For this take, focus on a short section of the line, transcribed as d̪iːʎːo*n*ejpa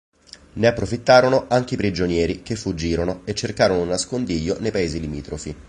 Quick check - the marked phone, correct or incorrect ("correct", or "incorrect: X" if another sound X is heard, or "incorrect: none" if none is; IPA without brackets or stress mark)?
correct